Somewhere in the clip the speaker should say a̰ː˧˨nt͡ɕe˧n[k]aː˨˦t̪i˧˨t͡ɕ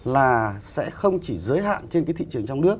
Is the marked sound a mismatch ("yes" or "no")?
no